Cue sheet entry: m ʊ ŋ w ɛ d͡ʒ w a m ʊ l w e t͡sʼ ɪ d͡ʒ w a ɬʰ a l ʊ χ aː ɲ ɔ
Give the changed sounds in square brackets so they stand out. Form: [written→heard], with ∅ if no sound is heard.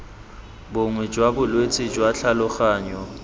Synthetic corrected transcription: [m→b] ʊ ŋ w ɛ d͡ʒ w a [m→b] ʊ l w e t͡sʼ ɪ d͡ʒ w a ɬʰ a l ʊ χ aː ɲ ɔ

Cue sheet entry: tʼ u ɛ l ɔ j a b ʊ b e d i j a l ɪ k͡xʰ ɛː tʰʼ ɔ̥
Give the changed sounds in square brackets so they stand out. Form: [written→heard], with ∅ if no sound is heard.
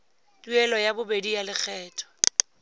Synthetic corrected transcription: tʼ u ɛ l ɔ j a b ʊ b e d i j a l ɪ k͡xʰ ɛː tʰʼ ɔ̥

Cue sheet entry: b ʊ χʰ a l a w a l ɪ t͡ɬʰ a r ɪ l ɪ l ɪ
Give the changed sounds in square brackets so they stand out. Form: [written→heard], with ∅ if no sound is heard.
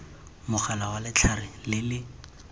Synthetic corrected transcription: [b→m] ʊ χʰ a l a w a l ɪ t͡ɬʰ a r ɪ l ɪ l ɪ

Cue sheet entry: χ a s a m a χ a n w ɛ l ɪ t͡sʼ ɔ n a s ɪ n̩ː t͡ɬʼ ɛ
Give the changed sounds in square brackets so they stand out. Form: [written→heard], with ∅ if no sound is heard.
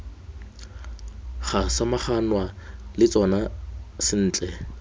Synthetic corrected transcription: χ a s a m a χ a n w [ɛ→a] l ɪ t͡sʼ ɔ n a s ɪ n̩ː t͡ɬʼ ɛ

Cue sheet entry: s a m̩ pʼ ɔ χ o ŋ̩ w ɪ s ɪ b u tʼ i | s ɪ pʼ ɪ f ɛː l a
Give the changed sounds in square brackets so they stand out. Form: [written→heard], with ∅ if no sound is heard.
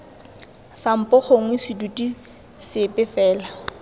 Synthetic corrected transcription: s a m̩ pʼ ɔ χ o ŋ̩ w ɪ s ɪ [b→d] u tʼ i | s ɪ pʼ ɪ f ɛː l a

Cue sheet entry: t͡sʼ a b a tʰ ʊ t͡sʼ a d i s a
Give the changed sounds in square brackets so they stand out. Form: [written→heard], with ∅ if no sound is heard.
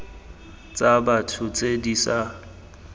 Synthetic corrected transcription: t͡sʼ a b a tʰ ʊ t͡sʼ [a→e] d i s a

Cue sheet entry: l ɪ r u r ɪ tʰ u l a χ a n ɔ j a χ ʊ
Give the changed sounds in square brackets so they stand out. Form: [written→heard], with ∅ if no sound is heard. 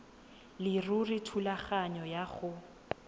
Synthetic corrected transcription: l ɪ r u r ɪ tʰ u l a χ a [n→ɲ] ɔ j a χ ʊ

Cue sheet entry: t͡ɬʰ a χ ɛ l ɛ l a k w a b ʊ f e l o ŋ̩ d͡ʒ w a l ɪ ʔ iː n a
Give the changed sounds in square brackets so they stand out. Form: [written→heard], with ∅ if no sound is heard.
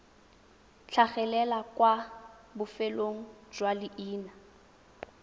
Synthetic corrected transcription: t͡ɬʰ a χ ɛ l ɛ l a k w a b ʊ f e l o ŋ̩ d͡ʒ w a l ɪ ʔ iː n a

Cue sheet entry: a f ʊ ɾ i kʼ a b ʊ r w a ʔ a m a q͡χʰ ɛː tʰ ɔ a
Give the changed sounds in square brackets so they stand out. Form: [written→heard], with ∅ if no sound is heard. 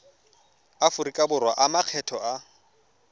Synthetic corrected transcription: a f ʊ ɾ i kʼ a b ʊ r w a ʔ a m a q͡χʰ [ɛː→ɛ] tʰ ɔ a

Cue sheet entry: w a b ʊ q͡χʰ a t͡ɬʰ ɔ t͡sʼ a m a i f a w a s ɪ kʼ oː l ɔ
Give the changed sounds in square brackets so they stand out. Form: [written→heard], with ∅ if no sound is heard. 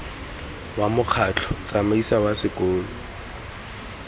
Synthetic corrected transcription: w a [b→m] ʊ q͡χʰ a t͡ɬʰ ɔ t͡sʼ a m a i [f→s] a w a s ɪ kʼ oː l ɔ

